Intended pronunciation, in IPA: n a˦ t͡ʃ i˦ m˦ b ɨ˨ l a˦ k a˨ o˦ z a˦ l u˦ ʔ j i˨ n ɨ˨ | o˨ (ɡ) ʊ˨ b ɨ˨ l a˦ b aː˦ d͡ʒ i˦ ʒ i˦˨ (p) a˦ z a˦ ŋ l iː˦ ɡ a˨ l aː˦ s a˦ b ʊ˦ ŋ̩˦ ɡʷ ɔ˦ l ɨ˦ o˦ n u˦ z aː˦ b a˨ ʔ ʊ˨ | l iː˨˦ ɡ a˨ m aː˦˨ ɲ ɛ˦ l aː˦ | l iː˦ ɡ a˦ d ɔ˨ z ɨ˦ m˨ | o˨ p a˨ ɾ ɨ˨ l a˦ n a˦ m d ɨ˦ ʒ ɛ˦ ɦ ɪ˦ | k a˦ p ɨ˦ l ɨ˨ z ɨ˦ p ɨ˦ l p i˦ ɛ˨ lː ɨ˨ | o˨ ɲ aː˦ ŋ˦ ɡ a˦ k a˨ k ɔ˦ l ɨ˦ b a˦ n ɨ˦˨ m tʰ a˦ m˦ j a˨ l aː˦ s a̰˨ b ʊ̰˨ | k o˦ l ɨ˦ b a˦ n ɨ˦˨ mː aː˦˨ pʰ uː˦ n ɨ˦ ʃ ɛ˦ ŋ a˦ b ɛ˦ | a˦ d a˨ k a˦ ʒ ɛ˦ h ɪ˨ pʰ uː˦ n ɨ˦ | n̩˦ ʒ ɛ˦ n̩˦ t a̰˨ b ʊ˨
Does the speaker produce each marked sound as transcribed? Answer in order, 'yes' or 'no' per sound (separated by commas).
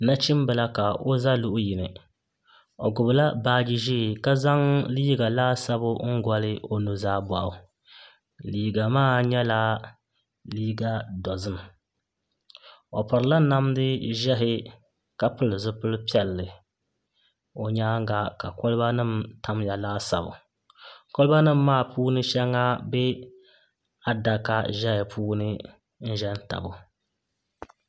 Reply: yes, no